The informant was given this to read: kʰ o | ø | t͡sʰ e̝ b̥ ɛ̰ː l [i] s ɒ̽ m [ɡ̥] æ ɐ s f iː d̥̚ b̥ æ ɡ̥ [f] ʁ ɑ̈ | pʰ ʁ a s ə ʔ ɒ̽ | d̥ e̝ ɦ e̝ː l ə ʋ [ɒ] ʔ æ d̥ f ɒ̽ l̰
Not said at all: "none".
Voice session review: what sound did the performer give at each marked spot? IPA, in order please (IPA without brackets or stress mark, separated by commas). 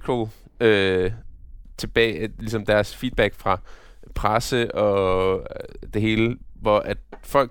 i, d̥, f, ɒ